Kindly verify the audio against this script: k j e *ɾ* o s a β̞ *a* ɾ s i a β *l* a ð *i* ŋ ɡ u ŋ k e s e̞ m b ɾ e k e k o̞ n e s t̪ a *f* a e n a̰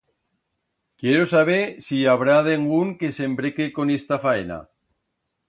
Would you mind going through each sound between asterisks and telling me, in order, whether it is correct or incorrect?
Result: correct, incorrect: e, incorrect: ɾ, incorrect: e, correct

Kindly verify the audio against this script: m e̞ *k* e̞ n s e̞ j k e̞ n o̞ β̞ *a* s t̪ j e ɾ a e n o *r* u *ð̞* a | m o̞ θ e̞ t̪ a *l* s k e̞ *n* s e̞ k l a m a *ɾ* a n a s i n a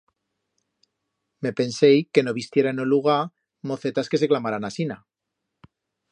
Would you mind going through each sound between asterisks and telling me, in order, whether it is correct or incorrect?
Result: incorrect: p, incorrect: i, incorrect: l, incorrect: ɣ̞, incorrect: none, incorrect: none, correct

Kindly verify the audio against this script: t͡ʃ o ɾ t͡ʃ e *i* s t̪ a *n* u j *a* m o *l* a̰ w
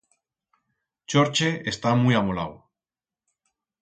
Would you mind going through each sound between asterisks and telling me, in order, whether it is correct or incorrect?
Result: incorrect: e, incorrect: m, correct, correct

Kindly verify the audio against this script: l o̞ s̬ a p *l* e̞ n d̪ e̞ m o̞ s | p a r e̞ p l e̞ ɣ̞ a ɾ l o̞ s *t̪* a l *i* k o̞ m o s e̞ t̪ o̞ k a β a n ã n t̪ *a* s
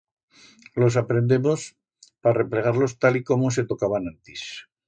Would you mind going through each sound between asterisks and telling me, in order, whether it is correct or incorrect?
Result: incorrect: ɾ, correct, correct, incorrect: i

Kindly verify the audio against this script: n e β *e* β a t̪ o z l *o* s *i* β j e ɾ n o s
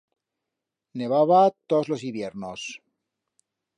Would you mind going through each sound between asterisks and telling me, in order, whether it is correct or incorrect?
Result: incorrect: a, correct, correct

